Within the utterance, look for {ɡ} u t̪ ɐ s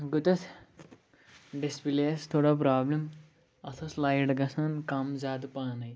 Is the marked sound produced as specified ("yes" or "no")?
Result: yes